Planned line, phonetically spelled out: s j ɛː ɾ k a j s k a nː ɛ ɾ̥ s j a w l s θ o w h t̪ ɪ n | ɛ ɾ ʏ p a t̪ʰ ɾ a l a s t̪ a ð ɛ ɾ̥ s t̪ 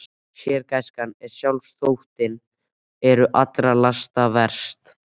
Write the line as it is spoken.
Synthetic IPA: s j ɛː ɾ k a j s k a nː ɛ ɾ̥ s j a w l s θ o w h t̪ ɪ n | ɛ ɾ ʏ ʔ a t̪ ɾ a l a s t̪ a v ɛ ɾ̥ s t̪